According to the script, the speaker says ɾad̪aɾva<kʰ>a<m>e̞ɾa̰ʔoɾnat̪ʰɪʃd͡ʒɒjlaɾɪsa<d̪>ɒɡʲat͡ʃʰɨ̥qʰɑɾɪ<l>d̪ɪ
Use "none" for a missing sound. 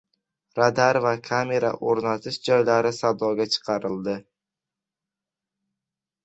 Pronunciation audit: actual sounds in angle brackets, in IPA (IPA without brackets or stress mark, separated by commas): kʰ, m, d̪, l